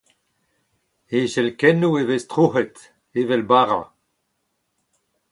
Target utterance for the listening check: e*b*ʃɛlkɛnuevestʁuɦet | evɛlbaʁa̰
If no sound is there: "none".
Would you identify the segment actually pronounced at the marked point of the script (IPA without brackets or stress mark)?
none